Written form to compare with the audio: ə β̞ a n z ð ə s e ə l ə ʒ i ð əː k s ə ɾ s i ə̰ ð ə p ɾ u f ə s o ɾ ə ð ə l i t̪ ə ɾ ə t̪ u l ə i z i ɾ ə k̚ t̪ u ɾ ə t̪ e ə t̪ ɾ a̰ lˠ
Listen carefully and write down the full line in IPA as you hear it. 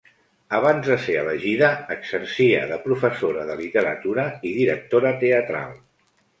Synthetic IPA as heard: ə β̞ a n z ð ə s e ə l ə ʒ i ð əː k s ə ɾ s i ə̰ ð ə p ɾ u f ə s o ɾ ə ð ə l i t̪ ə ɾ ə t̪ u ɾ ə i ð i ɾ ə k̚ t̪ o ɾ ə t̪ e ə t̪ ɾ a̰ lˠ